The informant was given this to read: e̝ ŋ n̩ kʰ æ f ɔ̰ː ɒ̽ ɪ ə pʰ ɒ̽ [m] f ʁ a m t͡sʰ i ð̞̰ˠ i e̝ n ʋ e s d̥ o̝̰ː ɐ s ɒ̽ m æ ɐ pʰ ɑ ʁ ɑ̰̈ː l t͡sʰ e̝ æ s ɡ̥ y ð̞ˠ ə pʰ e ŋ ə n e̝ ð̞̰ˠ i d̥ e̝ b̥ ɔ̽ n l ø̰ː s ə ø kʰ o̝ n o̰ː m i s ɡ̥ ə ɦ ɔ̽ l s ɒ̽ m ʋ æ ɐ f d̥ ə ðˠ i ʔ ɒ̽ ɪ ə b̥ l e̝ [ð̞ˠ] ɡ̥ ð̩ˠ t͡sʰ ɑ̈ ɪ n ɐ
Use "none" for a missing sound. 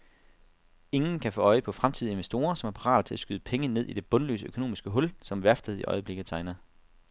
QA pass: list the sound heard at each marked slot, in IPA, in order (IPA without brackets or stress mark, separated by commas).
none, none